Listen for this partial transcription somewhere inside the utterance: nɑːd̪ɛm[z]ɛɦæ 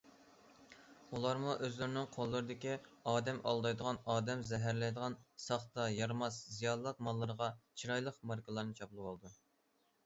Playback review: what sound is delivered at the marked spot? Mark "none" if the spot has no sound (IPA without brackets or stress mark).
z